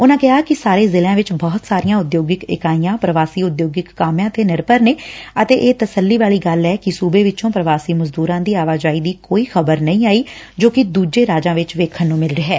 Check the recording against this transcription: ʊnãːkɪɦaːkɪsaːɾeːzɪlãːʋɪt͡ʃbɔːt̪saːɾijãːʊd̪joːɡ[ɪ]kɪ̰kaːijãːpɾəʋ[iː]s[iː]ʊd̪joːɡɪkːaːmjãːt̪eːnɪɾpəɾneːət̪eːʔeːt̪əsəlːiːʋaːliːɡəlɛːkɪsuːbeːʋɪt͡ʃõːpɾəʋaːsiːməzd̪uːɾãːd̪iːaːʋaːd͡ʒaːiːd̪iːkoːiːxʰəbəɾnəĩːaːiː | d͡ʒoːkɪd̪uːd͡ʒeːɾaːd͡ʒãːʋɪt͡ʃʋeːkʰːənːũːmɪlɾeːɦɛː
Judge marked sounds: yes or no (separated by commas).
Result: yes, no, yes